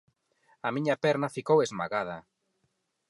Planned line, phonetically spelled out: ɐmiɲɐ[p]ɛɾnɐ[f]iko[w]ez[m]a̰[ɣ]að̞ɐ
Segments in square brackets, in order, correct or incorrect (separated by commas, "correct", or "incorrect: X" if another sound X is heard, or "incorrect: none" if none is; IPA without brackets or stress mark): correct, correct, correct, correct, correct